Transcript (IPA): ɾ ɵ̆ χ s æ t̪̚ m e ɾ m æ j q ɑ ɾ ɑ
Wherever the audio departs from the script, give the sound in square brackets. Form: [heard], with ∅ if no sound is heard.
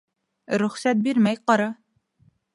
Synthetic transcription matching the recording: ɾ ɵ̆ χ s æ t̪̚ [b] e ɾ m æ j q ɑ ɾ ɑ